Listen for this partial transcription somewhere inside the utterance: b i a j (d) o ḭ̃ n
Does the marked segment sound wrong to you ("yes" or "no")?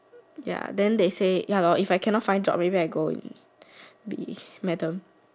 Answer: yes